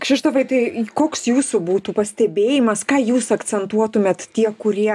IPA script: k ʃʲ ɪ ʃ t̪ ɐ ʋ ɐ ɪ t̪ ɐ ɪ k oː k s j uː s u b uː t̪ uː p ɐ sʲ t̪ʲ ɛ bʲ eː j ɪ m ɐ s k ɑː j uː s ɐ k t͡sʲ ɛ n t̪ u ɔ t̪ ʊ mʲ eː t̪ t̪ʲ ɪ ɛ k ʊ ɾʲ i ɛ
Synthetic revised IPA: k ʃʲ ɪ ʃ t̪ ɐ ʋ ɐ ɪ t̪ ɐ ɪ k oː k s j uː s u b uː t̪ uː p ɐ sʲ t̪ʲ ɛ bʲ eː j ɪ m ɐ s k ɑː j uː s ɐ k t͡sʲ ɛ n t̪ u ɔ t̪ ʊ mʲ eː t̪ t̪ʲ i ɛ k ʊ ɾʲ i ɛ